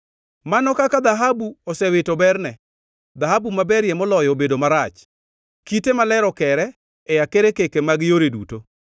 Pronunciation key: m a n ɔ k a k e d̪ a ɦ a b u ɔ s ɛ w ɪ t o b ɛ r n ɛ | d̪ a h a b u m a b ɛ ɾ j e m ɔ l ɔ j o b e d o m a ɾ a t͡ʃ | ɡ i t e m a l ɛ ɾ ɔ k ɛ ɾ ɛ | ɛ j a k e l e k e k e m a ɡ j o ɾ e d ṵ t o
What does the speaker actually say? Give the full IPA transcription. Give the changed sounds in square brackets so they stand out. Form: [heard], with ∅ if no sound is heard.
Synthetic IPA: m a n ɔ k a k [a] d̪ a ɦ a b u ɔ s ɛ w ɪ t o b ɛ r n ɛ | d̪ a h a b u m a b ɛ ɾ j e m ɔ l ɔ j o b e d o m a ɾ a t͡ʃ | [k] i t e m a l ɛ ɾ ɔ k ɛ ɾ ɛ | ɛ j a k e [ɾ] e k e k e m a ɡ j o ɾ e d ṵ t o